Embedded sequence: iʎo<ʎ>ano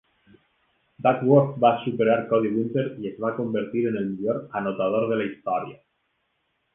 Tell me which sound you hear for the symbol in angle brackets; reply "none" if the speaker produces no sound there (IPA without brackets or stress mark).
ɾ